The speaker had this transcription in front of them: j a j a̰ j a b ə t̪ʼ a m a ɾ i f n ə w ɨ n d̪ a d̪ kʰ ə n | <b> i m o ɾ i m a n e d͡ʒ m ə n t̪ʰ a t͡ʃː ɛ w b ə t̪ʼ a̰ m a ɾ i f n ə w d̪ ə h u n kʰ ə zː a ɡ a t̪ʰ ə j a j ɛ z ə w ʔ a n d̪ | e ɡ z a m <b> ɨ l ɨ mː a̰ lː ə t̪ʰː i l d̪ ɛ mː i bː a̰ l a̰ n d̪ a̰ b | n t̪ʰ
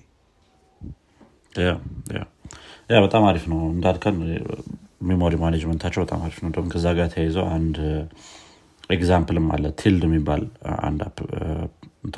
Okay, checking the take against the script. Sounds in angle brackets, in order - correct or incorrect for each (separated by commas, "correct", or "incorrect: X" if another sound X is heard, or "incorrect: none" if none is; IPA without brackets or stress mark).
incorrect: m, incorrect: p